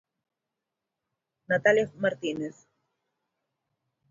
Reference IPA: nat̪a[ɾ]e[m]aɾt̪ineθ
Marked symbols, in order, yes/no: no, yes

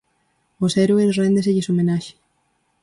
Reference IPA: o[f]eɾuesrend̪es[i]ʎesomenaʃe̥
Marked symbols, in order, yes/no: no, no

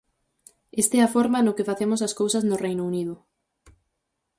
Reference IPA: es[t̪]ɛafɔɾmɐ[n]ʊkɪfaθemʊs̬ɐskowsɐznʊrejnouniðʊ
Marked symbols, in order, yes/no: yes, yes

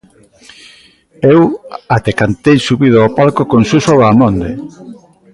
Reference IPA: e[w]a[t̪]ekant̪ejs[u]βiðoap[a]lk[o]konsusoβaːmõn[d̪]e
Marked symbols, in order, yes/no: yes, yes, yes, yes, yes, yes

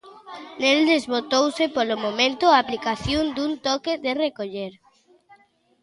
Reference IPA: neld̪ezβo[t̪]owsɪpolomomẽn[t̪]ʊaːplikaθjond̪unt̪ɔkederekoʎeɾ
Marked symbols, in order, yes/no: yes, yes

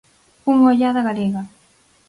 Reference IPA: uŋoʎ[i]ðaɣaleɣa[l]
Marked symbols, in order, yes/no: no, no

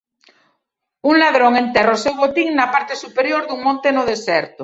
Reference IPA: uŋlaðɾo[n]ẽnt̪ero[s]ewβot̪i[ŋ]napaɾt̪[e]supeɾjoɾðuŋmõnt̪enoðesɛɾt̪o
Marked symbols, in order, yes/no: no, yes, yes, yes

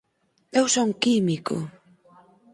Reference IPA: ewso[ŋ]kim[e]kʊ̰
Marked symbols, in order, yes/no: yes, no

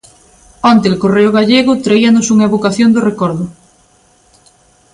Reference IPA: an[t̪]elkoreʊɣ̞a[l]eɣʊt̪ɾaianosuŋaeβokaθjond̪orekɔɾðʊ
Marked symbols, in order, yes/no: yes, no

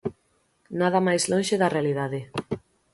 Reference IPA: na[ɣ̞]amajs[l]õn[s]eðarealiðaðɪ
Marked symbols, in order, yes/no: no, yes, no

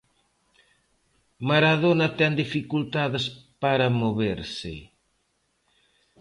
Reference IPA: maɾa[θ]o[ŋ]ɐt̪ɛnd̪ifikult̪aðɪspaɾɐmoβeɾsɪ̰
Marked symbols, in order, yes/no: no, no

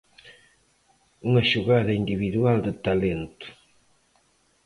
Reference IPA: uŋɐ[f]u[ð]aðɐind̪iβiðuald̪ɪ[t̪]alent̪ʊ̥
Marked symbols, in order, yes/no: no, no, yes

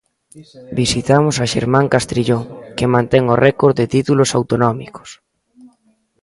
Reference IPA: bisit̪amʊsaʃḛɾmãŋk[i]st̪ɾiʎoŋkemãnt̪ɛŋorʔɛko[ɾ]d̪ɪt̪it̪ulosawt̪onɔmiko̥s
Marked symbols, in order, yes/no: no, yes

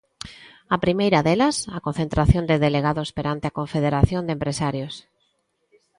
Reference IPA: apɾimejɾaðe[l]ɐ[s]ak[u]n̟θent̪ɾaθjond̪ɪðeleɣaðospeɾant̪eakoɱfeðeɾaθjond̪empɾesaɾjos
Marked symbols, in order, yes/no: yes, yes, no

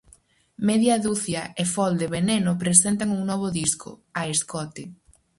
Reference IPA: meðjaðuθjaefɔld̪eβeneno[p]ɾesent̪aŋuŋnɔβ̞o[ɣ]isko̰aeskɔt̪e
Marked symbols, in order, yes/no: yes, no

